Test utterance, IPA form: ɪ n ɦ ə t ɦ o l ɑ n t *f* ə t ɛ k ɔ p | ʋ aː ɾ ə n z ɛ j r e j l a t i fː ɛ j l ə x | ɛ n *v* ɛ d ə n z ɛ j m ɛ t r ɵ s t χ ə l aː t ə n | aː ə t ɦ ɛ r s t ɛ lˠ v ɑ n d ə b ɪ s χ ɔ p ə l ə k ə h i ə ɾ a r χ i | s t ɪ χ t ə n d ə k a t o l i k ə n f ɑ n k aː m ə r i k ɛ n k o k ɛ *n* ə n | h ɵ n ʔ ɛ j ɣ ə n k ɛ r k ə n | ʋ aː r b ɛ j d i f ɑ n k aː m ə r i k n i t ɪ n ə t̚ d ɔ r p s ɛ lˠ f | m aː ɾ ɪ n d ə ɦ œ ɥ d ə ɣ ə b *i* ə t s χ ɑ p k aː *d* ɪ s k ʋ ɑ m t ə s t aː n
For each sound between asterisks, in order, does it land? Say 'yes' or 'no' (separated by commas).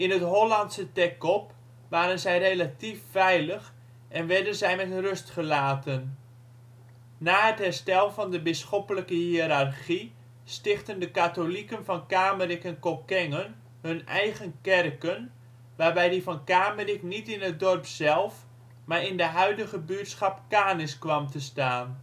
no, no, no, no, no